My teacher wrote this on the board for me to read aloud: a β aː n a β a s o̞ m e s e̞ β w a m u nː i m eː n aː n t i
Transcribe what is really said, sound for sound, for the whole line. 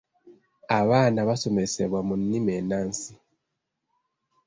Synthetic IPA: a β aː n a β a s o̞ m e s e̞ β w a m u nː i m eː n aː n s i